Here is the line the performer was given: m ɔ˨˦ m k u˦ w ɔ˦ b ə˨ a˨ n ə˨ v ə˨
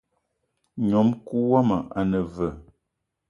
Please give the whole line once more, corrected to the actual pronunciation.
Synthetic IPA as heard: ɲ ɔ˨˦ m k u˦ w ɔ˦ m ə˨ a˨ n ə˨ v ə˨